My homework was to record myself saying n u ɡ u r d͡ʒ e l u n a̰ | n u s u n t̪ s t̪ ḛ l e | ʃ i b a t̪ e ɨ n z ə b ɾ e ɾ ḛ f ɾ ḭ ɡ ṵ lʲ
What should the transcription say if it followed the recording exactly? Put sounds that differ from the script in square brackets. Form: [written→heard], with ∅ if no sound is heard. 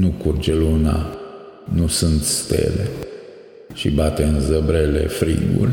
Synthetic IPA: n u [ɡ→k] u r d͡ʒ e l u n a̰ | n u s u n t̪ s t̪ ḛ l e | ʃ i b a t̪ e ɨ n z ə b ɾ e [ɾ→l] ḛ f ɾ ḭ ɡ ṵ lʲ